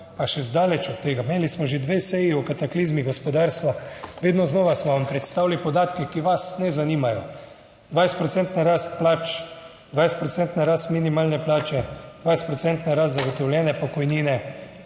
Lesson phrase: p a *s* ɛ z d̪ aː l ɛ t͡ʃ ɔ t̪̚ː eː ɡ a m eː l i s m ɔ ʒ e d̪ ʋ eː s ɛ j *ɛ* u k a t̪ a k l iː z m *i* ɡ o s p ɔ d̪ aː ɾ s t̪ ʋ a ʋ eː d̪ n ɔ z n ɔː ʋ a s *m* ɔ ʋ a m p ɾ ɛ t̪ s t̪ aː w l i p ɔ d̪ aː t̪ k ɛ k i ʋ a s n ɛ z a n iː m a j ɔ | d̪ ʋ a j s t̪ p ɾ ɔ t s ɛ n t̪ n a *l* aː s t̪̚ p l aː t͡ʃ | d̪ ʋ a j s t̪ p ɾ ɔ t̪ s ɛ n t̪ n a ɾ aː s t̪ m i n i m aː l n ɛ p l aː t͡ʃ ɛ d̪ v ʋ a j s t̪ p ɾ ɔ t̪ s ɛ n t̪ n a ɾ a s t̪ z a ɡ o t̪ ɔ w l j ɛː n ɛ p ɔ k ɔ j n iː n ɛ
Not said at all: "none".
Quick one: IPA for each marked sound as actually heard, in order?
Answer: ʃ, i, i, m, ɾ

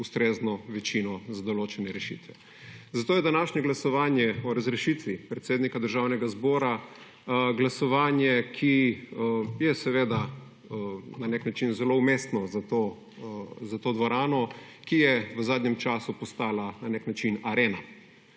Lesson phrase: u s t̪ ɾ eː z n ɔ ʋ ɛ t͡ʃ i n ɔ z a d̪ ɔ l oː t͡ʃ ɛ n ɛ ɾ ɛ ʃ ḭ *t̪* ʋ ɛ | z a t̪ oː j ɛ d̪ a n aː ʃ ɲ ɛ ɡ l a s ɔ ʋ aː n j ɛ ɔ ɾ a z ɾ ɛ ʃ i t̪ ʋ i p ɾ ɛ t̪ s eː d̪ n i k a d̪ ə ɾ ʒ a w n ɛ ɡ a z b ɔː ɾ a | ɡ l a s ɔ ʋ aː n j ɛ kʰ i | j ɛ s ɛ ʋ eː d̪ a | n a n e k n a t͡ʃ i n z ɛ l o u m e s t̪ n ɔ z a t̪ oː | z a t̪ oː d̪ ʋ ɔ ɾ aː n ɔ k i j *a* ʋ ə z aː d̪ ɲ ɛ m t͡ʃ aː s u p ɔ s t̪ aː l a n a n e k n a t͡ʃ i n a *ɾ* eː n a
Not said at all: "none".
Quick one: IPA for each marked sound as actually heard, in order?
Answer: t̪, ɛ, ɾ

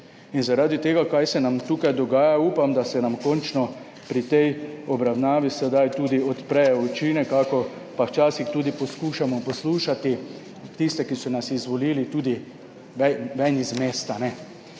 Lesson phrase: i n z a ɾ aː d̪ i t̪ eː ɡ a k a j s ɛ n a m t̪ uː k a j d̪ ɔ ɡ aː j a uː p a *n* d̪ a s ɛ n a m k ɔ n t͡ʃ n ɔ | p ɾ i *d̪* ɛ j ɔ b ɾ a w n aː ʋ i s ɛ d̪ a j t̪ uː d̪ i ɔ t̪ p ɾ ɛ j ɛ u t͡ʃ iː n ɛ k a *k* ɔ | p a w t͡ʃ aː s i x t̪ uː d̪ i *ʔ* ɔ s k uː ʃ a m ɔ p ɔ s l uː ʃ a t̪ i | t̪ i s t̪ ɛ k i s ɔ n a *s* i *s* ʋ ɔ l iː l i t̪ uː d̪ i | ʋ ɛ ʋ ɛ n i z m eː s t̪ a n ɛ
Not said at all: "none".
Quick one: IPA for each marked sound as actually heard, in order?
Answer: m, t̪, k, p, s, z

